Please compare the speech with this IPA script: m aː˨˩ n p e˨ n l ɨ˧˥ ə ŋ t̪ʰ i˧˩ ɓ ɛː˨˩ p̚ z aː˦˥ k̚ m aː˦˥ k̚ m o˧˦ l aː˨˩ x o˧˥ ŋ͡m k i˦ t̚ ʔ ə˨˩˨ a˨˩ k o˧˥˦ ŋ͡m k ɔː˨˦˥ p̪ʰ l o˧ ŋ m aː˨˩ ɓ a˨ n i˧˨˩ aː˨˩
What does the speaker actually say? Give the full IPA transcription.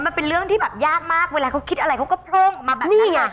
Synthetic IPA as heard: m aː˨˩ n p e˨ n l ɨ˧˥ ə ŋ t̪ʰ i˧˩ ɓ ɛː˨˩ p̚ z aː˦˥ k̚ m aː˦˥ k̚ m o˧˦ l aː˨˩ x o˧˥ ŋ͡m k i˦ t̚ ʔ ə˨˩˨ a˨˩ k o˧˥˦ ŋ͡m k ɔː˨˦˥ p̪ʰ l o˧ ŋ m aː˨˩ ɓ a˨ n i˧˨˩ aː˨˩

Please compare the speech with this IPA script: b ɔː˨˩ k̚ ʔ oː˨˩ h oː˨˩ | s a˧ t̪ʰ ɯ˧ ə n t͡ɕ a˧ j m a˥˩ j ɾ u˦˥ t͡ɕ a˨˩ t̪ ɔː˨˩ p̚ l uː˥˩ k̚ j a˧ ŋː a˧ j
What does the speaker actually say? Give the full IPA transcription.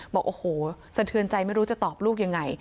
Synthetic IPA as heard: b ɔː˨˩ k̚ ʔ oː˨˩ h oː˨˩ | s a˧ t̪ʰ ɯ˧ ə n t͡ɕ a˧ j m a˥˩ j ɾ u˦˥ t͡ɕ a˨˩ t̪ ɔː˨˩ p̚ l uː˥˩ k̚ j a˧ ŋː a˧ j

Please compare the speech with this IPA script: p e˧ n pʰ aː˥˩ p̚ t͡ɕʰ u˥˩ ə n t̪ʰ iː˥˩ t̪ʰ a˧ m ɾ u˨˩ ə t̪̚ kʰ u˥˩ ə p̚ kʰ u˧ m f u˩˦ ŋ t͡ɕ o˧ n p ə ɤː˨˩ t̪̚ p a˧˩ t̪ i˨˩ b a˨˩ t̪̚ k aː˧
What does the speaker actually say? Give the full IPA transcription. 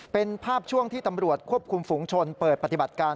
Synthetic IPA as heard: p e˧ n pʰ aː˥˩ p̚ t͡ɕʰ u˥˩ ə ŋ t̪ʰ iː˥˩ t̪ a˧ m ɾ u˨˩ ə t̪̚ kʰ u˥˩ ə p̚ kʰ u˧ m f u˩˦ ŋ t͡ɕʰ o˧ n p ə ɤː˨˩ t̪̚ p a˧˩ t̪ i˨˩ b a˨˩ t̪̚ k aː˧

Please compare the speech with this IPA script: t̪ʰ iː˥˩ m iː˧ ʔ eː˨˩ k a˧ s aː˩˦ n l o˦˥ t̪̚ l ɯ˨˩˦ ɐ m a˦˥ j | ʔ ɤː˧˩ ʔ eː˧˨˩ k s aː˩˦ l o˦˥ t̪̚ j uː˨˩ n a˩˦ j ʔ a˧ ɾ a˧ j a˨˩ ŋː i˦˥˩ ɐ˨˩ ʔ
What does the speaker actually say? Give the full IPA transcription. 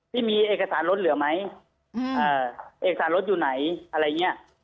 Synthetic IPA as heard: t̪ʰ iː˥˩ m iː˧ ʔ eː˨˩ k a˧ s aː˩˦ n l o˦˥ t̪̚ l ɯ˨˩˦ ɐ m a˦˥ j | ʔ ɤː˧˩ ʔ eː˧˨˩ k s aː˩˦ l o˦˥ t̪̚ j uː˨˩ n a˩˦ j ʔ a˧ ɾ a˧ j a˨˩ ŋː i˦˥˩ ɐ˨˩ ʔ

